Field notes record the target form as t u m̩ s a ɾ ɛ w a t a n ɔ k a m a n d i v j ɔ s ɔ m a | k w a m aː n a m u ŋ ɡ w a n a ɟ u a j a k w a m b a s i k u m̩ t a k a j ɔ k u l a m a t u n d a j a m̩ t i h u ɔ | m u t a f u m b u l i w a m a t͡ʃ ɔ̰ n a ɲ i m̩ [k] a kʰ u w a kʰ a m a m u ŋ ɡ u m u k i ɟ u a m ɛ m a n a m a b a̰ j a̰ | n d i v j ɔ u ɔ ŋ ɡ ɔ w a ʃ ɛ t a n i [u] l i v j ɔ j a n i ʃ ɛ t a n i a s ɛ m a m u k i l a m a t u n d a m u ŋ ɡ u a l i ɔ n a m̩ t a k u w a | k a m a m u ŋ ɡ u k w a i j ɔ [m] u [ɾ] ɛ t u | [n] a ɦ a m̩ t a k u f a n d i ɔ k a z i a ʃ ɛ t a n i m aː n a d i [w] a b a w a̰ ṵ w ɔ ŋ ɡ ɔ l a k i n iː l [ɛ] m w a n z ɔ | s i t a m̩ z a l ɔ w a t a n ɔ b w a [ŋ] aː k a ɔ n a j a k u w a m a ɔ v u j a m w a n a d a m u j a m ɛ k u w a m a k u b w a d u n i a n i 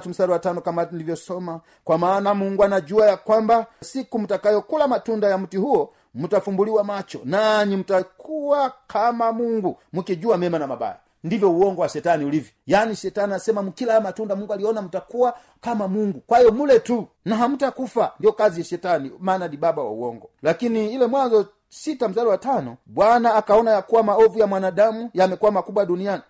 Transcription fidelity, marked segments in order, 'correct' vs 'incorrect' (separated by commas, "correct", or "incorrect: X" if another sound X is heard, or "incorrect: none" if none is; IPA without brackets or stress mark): incorrect: t, correct, correct, incorrect: l, correct, incorrect: b, correct, incorrect: n